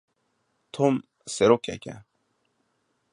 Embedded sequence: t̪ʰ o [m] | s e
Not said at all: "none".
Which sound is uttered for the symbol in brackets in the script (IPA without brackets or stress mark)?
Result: m